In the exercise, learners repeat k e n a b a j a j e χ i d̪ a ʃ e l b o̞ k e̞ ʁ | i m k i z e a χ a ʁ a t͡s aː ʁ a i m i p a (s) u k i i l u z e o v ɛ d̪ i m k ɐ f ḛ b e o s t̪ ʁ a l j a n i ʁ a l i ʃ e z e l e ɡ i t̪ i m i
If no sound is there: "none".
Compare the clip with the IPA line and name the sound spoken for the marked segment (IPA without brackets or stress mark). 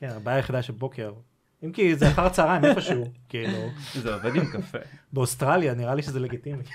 ʃ